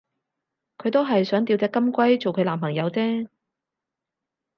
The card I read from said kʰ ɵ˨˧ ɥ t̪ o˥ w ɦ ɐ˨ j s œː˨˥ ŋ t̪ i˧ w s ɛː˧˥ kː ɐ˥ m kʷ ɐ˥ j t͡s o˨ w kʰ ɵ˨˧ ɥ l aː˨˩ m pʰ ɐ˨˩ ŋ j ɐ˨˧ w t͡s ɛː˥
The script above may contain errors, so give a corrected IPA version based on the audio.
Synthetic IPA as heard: kʰ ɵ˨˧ ɥ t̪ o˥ w ɦ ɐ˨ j s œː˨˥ ŋ t̪ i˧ w t͡s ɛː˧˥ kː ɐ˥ m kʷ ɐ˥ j t͡s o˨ w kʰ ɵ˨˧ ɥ l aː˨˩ m pʰ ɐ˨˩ ŋ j ɐ˨˧ w t͡s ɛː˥

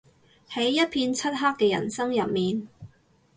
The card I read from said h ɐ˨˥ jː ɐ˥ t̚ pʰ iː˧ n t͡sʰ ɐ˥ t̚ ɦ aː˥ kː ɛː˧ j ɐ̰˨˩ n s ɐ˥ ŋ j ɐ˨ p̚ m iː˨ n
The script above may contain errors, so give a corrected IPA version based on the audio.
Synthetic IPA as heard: h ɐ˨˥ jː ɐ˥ t̚ pʰ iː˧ n t͡sʰ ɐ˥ t̚ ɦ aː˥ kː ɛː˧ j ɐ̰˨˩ n s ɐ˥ ŋ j ɐ˨ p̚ m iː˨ n

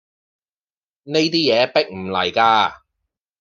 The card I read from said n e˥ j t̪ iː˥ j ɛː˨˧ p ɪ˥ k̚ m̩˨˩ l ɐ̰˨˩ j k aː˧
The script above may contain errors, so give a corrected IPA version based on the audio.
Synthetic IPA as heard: n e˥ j t̪ iː˥ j ɛː˨˧ p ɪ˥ k̚ m̩˨˩ l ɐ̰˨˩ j k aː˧

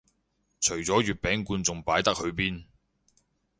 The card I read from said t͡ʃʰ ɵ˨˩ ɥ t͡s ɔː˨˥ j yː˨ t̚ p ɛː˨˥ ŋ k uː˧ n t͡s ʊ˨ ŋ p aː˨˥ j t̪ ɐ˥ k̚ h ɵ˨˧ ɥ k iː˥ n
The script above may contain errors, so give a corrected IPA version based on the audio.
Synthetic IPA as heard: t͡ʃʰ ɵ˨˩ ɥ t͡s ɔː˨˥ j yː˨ t̚ p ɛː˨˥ ŋ k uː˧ n t͡s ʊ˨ ŋ p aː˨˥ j t̪ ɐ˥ k̚ h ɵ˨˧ ɥ p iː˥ n

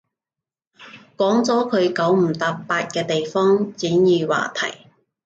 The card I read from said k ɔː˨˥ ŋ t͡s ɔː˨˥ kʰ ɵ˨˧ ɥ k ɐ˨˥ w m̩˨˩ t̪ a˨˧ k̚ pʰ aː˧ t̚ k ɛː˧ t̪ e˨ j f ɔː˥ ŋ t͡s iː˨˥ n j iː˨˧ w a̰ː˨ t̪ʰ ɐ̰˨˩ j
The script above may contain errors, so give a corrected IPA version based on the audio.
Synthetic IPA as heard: k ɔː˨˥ ŋ t͡s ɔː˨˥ kʰ ɵ˨˧ ɥ k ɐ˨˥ w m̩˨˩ t̪ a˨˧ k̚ p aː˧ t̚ k ɛː˧ t̪ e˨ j f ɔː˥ ŋ t͡s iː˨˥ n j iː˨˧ w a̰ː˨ t̪ʰ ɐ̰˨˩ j

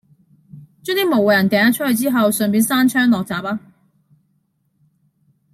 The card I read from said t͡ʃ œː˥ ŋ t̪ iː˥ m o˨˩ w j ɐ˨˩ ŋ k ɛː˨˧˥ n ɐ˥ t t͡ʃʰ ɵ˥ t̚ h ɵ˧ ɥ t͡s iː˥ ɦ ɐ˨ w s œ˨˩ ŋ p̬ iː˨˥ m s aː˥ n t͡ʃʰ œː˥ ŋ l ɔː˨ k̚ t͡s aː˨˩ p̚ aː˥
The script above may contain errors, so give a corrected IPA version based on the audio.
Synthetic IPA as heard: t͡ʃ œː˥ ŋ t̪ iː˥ m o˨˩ w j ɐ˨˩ n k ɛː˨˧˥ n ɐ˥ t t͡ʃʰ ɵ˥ t̚ h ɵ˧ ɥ t͡s iː˥ ɦ ɐ˨ w s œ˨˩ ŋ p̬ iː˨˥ n s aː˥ n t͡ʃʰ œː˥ ŋ l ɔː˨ k̚ t͡s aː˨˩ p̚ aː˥

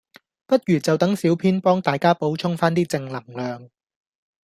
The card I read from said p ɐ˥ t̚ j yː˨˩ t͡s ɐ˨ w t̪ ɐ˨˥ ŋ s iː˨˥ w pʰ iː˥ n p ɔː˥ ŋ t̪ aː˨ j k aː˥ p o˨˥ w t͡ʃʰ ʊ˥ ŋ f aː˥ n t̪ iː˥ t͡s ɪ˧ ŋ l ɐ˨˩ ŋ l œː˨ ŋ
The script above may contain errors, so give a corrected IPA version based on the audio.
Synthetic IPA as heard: p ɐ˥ t̚ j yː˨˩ t͡s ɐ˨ w t̪ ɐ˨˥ ŋ s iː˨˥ w pʰ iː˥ n p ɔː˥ ŋ t̪ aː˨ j k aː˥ p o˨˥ w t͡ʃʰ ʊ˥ ŋ f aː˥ n t̪ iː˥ t͡s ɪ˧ ŋ l ɐ˨˩ ŋ l œː˨ ŋ

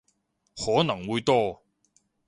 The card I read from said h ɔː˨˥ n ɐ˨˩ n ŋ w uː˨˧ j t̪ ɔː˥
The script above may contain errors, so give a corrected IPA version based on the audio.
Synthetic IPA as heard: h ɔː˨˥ n ɐ˨˩ ŋ w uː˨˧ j t̪ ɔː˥

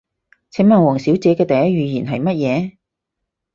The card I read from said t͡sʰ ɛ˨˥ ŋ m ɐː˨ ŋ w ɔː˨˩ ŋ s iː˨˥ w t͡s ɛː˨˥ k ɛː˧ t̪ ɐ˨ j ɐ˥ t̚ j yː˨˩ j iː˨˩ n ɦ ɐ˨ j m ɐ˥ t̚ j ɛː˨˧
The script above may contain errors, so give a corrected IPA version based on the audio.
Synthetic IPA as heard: t͡sʰ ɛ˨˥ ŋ m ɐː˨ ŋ w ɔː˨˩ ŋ s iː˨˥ w t͡s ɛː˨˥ k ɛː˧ t̪ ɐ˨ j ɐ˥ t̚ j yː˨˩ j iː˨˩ n ɦ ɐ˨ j m ɐ˥ t̚ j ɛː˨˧

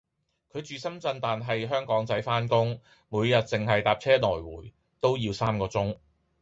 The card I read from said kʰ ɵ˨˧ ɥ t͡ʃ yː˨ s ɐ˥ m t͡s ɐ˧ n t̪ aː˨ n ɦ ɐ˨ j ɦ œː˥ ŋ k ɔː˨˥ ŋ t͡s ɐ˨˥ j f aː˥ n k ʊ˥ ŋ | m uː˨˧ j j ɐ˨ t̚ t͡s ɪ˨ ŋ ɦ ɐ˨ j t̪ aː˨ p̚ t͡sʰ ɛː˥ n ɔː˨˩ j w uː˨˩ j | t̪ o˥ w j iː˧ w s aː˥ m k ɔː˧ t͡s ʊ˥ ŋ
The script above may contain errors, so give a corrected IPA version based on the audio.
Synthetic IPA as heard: kʰ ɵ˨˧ ɥ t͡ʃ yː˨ s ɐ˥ m t͡s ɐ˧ n t̪ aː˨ n ɦ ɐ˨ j ɦ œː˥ ŋ k ɔː˨˥ ŋ t͡s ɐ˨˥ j f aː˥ n k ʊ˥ ŋ | m uː˨˧ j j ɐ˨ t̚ t͡s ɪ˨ ŋ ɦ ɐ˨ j t̪ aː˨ p̚ t͡sʰ ɛː˥ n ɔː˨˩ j w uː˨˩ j | t̪ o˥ w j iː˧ w s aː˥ m k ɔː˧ t͡s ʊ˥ ŋ

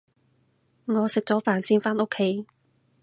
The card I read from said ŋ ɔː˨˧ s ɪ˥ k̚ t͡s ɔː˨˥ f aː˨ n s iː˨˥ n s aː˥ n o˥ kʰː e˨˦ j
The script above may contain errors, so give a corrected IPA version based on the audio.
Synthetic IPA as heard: ŋ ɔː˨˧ s ɪ˨ k̚ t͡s ɔː˨˥ f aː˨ n s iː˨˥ n f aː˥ n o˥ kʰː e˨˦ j

